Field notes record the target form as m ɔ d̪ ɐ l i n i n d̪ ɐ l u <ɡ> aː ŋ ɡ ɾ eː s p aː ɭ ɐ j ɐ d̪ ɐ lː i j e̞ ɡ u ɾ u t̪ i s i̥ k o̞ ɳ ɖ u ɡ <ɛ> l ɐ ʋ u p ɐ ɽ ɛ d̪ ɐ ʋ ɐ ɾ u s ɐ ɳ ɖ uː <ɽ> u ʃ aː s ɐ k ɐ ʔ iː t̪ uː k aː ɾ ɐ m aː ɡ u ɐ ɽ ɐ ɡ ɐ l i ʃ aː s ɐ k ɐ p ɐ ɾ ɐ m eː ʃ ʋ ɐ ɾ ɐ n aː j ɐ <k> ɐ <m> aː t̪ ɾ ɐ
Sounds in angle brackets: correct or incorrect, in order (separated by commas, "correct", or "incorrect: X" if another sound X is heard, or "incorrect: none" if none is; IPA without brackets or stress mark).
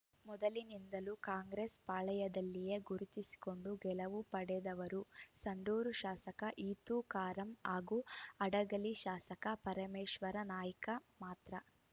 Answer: incorrect: k, correct, incorrect: ɾ, correct, correct